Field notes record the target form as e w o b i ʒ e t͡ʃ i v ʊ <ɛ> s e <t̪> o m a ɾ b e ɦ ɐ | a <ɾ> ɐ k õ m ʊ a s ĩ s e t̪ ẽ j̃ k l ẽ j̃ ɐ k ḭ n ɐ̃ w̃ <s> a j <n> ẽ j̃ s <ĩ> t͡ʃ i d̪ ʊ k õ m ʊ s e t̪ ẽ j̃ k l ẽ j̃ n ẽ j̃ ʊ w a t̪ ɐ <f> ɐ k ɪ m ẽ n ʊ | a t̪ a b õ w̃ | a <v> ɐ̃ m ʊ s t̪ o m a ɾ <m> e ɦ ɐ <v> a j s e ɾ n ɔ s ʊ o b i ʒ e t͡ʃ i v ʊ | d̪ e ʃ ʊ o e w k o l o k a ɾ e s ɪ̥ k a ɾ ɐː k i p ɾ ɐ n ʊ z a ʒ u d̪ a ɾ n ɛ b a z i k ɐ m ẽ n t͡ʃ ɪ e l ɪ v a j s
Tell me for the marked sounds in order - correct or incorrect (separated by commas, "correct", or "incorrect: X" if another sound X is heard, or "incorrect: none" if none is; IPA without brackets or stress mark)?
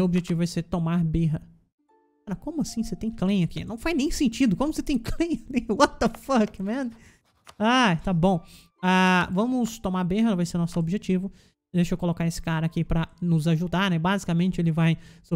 correct, correct, correct, incorrect: f, correct, incorrect: ẽ, correct, correct, incorrect: b, correct